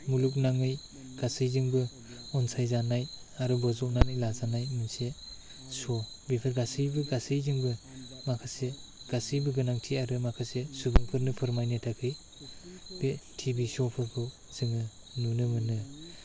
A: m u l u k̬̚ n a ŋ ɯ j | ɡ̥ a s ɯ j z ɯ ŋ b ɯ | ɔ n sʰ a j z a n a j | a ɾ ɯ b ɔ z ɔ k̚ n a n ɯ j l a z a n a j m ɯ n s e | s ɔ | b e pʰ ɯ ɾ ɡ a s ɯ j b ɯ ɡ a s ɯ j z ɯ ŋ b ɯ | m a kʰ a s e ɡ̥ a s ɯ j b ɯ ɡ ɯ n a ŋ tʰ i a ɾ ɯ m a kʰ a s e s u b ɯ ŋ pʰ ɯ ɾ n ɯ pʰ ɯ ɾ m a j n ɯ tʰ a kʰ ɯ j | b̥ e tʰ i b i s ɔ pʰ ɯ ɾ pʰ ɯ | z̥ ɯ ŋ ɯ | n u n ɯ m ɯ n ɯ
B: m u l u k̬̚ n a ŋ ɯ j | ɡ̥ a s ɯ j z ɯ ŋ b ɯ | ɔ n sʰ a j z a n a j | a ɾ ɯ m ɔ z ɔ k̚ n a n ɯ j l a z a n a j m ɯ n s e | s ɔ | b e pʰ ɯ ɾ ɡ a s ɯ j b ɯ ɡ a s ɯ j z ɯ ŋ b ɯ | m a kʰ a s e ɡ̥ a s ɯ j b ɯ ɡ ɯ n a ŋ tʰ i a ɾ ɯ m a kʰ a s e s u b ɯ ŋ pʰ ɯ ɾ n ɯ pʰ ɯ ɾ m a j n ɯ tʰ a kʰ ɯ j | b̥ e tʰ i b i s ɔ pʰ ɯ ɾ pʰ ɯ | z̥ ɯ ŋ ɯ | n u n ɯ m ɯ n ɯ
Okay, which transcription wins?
A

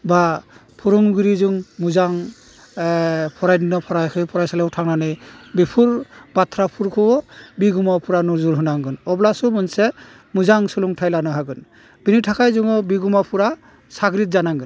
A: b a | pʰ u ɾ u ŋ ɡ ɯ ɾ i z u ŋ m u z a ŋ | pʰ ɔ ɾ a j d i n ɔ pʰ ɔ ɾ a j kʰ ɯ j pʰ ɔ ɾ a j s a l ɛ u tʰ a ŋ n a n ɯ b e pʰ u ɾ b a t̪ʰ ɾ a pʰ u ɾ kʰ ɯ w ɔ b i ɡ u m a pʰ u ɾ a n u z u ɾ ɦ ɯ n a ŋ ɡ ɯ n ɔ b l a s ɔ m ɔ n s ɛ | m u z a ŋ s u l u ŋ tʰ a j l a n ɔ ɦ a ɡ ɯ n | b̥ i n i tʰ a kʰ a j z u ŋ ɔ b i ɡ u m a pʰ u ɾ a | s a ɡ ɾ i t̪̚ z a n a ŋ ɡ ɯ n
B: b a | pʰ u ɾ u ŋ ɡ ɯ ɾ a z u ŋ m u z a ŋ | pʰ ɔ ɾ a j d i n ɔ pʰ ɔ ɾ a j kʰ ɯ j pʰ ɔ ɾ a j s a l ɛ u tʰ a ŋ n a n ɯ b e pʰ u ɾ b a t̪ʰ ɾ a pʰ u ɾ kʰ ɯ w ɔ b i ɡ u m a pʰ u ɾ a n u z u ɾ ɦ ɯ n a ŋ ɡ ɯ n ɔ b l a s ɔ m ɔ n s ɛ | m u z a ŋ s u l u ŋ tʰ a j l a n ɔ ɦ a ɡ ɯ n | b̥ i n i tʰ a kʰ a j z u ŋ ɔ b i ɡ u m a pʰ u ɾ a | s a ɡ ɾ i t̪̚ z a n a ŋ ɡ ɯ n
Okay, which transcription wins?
A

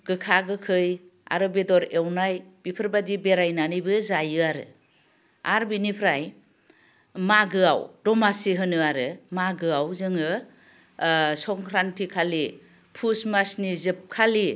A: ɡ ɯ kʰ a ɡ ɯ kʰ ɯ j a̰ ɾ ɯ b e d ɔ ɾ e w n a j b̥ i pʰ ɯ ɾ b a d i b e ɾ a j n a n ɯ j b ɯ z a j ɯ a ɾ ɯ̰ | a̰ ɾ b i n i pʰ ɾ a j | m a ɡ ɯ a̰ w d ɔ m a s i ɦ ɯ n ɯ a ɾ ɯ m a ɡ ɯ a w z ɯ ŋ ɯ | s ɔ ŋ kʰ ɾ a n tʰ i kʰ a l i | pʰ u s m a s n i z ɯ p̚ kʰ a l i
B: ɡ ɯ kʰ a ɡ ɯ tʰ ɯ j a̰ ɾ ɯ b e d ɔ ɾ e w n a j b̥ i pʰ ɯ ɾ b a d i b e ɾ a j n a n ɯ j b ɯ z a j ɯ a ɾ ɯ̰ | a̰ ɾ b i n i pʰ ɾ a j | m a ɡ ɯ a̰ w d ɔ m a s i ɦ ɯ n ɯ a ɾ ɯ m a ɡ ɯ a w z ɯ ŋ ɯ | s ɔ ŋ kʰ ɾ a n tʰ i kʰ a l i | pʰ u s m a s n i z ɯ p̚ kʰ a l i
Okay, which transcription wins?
A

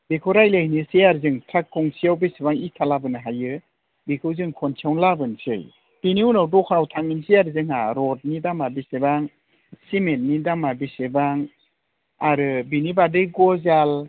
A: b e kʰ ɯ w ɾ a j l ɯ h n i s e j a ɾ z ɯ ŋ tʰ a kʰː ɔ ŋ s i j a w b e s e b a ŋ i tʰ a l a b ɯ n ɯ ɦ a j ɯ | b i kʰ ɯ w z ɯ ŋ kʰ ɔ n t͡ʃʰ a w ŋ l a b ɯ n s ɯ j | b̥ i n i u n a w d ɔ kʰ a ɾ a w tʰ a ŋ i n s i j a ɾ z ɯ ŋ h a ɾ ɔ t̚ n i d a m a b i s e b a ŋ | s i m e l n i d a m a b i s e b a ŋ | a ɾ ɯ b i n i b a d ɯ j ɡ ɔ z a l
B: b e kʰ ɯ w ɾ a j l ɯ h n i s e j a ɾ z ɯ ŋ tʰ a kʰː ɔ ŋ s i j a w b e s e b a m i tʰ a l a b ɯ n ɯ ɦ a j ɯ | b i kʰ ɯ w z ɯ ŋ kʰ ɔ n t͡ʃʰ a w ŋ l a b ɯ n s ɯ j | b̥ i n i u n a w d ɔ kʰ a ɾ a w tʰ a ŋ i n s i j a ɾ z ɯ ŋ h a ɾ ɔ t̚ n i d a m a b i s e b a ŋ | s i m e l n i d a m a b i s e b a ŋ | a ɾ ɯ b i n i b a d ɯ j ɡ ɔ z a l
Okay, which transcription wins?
A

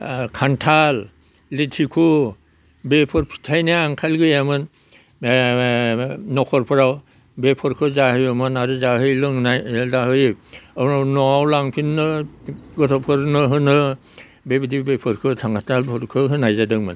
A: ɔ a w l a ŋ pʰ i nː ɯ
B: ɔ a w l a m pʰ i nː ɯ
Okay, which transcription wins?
A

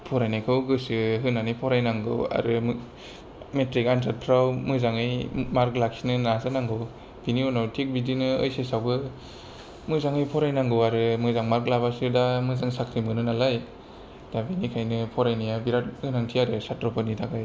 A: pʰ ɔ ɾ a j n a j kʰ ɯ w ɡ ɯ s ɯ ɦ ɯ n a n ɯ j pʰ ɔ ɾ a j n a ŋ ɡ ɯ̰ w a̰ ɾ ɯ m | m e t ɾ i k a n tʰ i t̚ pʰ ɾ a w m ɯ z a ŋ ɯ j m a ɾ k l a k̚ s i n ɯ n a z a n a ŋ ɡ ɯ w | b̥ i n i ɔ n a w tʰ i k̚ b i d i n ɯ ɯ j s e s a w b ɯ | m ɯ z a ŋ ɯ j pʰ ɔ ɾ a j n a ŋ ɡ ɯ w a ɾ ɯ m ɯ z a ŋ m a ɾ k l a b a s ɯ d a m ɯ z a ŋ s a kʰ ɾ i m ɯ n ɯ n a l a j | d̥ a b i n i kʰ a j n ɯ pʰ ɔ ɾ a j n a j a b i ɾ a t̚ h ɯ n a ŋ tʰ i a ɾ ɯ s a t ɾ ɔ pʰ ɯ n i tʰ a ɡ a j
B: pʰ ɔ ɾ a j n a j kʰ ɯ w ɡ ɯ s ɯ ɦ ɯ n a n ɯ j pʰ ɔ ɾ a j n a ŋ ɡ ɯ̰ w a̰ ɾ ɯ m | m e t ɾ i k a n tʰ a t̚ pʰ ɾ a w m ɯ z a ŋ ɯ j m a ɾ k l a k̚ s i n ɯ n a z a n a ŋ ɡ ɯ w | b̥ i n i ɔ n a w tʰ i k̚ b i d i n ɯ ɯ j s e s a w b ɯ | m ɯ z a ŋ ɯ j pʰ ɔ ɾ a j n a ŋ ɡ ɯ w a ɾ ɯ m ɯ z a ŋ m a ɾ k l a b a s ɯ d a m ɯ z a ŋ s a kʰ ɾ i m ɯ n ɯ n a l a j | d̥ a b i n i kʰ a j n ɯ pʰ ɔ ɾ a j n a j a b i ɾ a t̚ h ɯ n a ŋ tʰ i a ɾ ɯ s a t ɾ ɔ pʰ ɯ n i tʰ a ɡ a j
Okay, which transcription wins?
B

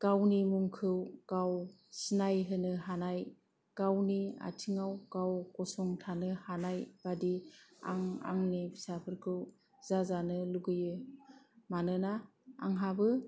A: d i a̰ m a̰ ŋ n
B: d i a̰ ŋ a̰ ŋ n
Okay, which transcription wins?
B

